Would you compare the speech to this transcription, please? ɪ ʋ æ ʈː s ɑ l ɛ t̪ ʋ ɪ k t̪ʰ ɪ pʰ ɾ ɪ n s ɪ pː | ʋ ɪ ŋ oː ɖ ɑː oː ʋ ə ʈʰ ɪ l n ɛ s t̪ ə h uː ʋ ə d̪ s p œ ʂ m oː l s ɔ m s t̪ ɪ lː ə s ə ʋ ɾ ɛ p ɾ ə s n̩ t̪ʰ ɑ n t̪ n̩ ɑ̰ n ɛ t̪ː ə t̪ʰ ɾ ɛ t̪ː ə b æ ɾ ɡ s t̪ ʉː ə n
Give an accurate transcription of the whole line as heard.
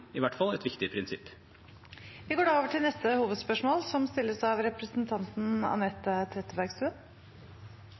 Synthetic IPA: ɪ ʋ æ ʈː f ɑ l ɛ t̪ ʋ ɪ k t̪ ɪ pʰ ɾ ɪ n s ɪ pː | ʋ ɪ ɡ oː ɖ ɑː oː ʋ ə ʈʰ ɪ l n ɛ s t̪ ə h uː ʋ ə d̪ s p œ ʂ m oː l s ɔ m s t̪ ɪ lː ə s ɑ ʋ ɾ ɛ p ɾ ə s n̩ t̪ʰ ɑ n t̪ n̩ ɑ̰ n ɛ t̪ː ə t̪ʰ ɾ ɛ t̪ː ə b æ ɾ ɡ s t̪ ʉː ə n